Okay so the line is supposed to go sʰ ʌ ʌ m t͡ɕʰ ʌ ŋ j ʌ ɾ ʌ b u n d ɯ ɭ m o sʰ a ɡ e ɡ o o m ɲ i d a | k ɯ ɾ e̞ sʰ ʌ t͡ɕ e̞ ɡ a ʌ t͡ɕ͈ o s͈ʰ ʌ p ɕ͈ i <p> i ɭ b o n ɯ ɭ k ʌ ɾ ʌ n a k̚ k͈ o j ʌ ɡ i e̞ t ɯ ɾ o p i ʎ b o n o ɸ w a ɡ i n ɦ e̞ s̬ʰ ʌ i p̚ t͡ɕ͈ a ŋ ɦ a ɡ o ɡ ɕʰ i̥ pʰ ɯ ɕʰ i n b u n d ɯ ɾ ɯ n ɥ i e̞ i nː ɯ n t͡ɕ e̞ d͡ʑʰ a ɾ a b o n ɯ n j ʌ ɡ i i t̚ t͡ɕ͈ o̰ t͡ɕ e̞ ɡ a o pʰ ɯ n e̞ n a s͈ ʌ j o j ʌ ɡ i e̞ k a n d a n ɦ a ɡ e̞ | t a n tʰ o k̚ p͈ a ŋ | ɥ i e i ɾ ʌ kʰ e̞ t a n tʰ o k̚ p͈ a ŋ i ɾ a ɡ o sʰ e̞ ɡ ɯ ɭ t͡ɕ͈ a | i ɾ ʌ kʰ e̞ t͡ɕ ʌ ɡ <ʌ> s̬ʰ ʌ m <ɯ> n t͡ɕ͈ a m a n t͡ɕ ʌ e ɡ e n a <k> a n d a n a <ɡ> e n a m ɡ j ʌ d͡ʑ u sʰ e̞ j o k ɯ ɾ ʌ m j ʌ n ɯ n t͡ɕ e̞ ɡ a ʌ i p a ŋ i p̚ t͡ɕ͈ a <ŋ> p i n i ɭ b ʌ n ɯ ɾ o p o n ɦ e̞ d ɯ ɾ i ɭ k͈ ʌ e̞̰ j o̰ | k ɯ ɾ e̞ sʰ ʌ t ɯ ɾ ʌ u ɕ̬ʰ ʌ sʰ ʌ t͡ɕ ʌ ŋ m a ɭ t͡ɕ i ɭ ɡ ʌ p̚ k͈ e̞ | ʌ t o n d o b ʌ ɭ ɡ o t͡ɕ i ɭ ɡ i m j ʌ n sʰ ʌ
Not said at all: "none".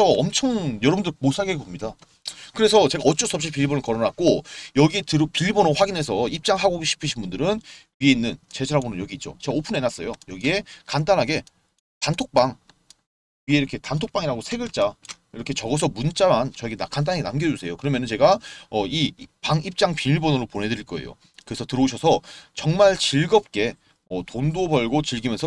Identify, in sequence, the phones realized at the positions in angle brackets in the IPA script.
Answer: p, ʌ, u, k, ɡ, ŋ

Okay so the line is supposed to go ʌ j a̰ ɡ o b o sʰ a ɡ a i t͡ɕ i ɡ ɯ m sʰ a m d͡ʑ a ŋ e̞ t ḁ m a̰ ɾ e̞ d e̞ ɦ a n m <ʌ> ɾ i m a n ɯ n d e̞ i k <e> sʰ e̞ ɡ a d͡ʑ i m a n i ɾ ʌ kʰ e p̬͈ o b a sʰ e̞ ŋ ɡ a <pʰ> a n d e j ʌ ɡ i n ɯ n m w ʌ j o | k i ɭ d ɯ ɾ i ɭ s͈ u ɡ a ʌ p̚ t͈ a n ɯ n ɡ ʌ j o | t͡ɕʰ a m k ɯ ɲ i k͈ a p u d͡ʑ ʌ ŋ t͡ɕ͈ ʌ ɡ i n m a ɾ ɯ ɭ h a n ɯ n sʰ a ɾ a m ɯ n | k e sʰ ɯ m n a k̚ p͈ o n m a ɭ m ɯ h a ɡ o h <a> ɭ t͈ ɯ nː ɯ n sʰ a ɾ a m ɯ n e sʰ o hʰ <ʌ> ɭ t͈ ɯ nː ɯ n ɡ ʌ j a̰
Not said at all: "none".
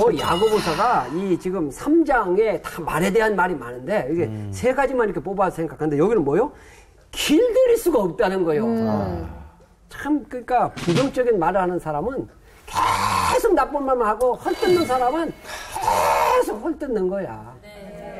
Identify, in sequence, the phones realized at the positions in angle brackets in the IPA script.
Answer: a, e, kʰ, ʌ, ʌ

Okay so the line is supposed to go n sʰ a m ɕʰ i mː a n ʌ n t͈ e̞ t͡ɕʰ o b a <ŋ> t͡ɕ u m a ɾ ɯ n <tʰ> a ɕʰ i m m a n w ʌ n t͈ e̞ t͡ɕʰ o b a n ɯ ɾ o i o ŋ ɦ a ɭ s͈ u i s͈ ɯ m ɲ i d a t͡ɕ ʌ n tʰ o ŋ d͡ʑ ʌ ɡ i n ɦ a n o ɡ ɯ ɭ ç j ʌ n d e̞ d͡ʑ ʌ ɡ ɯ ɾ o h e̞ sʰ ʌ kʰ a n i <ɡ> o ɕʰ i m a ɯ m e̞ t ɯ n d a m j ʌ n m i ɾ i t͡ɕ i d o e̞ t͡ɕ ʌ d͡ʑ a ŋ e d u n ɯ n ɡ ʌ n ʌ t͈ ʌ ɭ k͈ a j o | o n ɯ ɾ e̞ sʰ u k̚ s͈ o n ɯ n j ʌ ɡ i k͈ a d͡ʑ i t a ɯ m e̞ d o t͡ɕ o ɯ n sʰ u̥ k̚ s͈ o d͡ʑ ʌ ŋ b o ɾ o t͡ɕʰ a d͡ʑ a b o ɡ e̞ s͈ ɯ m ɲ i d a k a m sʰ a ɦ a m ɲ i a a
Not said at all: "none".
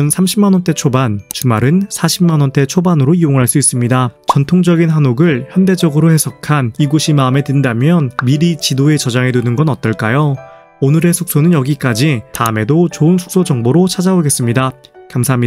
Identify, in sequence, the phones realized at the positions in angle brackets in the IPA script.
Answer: n, sʰ, ɡ

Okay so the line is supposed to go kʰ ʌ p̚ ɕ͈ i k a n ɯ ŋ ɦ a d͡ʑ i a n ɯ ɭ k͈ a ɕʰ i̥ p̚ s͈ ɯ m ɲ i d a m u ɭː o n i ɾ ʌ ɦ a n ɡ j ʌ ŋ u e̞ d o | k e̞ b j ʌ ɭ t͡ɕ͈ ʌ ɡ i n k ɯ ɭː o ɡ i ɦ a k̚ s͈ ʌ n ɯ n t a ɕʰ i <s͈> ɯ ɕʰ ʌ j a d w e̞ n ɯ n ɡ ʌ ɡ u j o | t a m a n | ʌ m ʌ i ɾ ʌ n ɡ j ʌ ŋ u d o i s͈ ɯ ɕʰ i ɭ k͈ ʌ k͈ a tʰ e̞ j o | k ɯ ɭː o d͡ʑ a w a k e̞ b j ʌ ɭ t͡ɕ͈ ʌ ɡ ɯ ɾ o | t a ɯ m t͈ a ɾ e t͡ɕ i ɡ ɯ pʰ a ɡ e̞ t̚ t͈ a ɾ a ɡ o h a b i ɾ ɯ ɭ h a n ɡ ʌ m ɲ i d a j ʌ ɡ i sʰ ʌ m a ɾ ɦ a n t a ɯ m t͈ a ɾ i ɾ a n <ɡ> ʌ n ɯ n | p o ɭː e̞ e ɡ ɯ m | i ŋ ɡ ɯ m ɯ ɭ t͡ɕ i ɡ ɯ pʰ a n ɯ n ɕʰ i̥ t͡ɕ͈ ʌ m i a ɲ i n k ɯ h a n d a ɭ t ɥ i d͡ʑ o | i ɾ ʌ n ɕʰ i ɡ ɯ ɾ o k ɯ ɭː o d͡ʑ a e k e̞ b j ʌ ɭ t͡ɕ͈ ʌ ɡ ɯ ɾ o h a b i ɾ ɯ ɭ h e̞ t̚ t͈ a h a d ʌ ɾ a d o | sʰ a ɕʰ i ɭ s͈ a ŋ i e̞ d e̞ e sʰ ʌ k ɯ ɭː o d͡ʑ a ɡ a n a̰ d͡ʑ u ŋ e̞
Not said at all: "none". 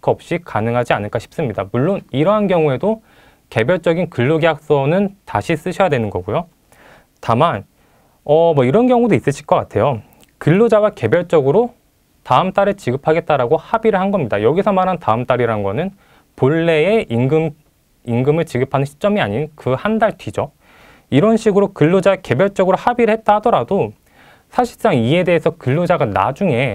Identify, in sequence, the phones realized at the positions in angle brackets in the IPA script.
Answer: s͈, ɡ

